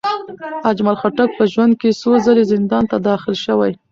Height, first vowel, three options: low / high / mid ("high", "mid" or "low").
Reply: low